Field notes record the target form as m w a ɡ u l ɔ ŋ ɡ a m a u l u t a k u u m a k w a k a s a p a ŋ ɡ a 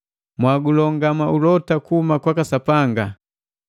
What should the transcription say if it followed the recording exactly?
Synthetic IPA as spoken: m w a ɡ u l ɔ ŋ ɡ a m a u l ɔ t a k u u m a k w a k a s a p a ŋ ɡ a

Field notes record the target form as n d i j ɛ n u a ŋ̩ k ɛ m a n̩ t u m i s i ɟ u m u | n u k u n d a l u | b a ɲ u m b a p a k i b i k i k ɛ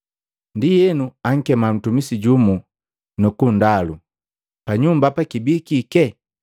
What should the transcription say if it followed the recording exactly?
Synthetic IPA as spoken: n d i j ɛ n u a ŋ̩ k ɛ m a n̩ t u m i s i ɟ u m u | n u k u n d a l u | p a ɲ u m b a p a k i b i k i k ɛ

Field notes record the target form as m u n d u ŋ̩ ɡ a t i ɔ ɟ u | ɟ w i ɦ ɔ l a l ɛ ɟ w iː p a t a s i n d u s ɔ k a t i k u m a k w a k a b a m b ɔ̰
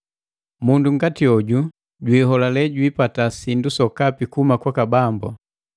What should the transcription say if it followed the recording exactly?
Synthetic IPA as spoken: m u n d u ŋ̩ ɡ a t i ɔ ɟ u | ɟ w i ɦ ɔ l a l ɛ ɟ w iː p a t a s i n d u s ɔ k a p i k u m a k w a k a b a m b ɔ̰

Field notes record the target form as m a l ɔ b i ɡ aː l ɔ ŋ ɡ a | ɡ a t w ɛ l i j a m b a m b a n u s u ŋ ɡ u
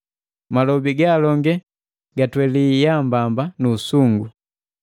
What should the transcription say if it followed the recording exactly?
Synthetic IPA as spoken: m a l ɔ b i ɡ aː l ɔ ŋ ɡ ɛ | ɡ a t w ɛ l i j a m b a m b a n u s u ŋ ɡ u

